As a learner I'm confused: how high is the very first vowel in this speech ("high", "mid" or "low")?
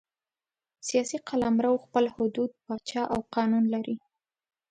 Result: high